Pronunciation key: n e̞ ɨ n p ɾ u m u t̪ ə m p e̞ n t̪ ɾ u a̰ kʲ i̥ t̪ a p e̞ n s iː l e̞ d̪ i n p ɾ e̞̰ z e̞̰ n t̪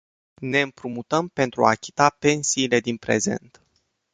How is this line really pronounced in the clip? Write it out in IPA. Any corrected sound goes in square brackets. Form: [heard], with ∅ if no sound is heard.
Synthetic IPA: n e̞ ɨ [m] p ɾ u m u t̪ ə m p e̞ n t̪ ɾ u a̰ kʲ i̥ t̪ a p e̞ n s iː l e̞ d̪ i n p ɾ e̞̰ z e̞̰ n t̪